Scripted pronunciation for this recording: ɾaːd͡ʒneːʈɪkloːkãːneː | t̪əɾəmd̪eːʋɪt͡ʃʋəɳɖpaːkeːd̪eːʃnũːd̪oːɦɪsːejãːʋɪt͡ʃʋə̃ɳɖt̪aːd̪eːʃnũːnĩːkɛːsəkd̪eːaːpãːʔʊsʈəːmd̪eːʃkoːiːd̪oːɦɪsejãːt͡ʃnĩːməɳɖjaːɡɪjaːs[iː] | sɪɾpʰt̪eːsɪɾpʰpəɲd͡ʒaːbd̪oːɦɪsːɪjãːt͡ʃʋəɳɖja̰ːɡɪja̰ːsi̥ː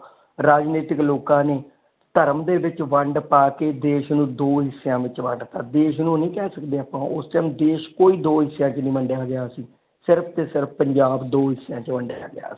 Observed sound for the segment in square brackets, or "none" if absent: iː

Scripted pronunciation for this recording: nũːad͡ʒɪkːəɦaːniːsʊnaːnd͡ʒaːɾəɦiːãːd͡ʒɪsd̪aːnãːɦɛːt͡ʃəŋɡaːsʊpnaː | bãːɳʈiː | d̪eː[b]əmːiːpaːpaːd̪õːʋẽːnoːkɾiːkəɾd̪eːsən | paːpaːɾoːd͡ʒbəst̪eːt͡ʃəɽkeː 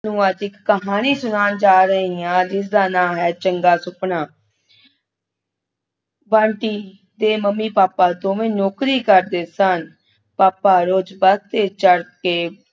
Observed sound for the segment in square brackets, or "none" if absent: m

